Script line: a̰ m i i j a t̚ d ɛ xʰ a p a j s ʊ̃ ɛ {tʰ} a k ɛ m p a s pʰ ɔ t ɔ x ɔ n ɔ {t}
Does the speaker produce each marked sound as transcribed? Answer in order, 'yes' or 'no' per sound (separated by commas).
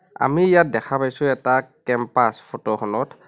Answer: no, yes